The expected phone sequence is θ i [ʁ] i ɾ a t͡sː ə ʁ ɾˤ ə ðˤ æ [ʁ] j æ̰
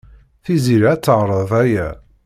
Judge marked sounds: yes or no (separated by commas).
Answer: no, no